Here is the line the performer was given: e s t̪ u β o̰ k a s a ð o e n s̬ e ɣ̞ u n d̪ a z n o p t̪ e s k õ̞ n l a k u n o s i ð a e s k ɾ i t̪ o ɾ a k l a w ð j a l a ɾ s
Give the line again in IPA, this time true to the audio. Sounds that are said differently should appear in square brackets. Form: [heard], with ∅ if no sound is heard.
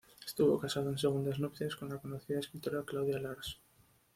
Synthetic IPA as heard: e s t̪ u β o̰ k a s a ð o e n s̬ e ɣ̞ u n d̪ a z n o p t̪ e s k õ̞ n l a k [o] n o [θ] i ð a e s k ɾ i t̪ o ɾ a k l a w ð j a l a ɾ s